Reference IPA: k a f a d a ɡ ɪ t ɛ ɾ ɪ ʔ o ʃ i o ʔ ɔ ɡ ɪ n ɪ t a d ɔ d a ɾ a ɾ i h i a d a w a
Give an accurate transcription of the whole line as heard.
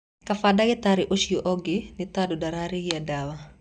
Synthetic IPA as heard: k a f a d a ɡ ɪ t a ɾ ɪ ʔ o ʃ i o ʔ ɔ ɡ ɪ n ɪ t a d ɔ d a ɾ a ɾ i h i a d a w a